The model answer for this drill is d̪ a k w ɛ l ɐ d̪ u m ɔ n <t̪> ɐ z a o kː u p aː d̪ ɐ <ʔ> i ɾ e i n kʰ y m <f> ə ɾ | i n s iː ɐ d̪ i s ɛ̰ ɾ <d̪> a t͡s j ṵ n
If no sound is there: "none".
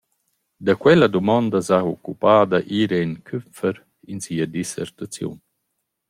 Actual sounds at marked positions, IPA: d̪, ʔ, f, t̪

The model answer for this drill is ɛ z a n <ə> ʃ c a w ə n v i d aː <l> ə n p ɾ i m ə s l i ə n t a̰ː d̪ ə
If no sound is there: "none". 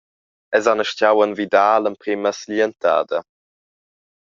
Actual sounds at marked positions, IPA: ə, l

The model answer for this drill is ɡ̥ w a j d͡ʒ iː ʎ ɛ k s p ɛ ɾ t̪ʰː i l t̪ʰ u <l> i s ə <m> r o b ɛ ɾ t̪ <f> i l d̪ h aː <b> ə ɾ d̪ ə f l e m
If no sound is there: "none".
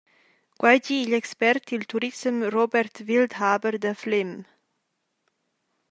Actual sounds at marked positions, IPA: ɾ, m, v, b

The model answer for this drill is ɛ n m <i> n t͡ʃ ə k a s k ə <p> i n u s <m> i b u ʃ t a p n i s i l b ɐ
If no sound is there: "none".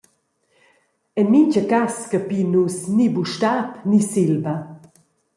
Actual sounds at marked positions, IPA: i, p, n

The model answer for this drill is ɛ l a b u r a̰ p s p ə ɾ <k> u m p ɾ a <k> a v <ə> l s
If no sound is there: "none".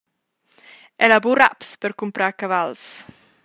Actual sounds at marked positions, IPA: k, k, a

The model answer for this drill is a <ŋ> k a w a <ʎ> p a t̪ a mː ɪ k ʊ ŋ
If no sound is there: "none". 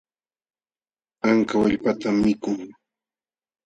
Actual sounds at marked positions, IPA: ŋ, ʎ

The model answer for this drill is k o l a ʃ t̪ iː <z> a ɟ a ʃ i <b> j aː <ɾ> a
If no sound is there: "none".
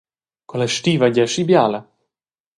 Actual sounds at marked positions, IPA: v, b, l

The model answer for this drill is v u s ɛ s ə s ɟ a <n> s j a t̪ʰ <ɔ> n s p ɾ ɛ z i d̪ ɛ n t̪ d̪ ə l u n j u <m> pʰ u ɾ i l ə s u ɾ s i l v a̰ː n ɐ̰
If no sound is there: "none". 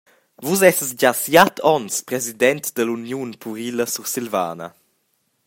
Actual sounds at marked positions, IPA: none, ɔ, n

